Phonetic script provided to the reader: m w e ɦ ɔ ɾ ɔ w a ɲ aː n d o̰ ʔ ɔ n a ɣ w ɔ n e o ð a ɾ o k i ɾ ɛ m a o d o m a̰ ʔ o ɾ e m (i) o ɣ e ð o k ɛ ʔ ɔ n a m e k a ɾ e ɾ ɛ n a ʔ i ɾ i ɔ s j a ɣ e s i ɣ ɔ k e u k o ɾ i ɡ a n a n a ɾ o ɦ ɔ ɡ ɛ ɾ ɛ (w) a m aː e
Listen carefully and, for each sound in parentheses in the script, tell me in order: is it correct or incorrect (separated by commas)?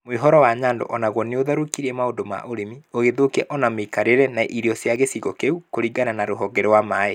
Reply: correct, correct